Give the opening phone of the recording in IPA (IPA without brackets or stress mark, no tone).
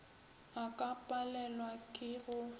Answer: a